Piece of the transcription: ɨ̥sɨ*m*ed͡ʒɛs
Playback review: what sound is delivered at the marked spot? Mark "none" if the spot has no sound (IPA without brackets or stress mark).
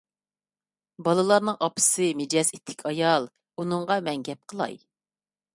m